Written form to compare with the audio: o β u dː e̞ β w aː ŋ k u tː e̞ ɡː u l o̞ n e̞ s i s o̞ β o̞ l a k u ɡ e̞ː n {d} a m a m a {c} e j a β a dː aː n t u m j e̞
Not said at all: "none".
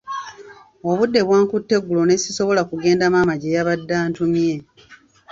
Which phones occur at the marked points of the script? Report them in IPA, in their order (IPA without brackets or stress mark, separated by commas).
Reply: d, ɟ